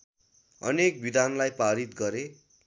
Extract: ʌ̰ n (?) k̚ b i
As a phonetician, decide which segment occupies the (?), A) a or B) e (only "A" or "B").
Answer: B